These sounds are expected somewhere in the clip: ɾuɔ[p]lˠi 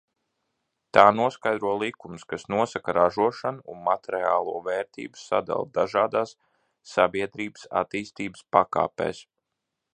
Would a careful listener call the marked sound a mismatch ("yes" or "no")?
yes